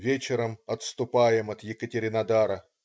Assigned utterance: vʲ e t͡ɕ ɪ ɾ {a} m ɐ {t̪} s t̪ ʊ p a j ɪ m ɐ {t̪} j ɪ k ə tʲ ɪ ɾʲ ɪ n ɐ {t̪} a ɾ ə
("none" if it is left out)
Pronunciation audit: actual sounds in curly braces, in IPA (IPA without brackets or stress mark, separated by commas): ə, t̪, t̪, d̪